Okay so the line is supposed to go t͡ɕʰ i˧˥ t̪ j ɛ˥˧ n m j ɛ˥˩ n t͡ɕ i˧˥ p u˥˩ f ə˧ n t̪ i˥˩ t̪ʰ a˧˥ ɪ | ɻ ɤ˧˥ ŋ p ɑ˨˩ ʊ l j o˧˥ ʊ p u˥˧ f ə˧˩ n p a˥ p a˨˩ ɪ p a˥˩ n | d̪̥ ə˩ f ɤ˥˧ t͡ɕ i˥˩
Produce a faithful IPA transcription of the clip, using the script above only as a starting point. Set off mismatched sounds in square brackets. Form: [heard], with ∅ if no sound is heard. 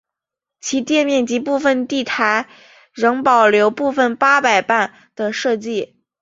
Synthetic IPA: t͡ɕʰ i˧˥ t̪ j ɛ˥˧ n m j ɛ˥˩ n t͡ɕ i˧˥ p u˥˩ f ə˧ n t̪ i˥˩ t̪ʰ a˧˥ ɪ | ɻ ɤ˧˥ ŋ p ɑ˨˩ ʊ l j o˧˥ ʊ p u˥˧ f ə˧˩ n p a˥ p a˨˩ ɪ p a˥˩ n | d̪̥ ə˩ [ʂ] ɤ˥˧ t͡ɕ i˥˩